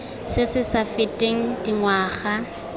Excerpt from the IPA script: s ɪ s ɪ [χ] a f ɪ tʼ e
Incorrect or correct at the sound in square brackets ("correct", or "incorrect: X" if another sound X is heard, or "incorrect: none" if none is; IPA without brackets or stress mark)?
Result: incorrect: s